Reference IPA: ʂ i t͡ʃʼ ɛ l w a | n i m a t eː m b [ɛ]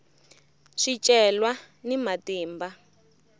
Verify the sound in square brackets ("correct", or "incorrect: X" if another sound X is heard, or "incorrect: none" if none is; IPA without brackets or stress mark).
incorrect: a